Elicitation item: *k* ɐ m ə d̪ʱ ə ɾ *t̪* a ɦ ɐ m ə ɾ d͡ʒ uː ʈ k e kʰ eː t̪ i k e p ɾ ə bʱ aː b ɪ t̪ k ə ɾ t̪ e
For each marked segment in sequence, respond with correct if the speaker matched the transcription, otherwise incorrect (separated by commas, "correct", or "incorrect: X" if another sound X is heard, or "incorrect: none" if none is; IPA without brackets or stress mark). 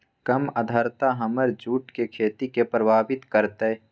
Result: correct, correct